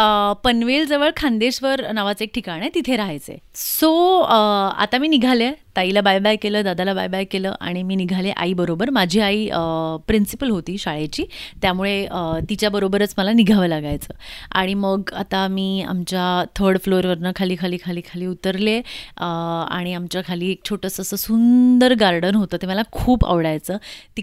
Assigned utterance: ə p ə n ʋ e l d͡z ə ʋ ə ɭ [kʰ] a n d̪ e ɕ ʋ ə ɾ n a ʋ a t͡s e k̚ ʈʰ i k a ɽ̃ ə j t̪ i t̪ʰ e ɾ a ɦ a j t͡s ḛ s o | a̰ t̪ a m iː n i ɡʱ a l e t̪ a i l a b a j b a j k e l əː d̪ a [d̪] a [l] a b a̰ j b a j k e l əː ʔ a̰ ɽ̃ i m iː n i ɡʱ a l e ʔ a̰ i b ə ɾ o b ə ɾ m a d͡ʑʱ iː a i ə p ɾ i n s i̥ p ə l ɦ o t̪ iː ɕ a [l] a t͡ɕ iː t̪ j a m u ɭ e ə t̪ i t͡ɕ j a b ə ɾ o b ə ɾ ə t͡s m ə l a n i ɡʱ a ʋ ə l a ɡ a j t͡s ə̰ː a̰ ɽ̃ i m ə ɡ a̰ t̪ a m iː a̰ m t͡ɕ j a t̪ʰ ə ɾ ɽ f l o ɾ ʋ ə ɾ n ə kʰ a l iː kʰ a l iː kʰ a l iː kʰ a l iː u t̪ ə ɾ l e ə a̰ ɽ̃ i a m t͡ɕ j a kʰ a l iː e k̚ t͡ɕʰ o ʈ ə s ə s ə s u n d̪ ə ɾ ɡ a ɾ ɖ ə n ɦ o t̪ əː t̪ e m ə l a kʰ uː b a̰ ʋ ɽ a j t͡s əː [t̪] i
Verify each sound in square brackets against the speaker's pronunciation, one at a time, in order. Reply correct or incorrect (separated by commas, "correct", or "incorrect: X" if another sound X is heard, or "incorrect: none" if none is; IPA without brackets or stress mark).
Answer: correct, correct, correct, incorrect: ɭ, correct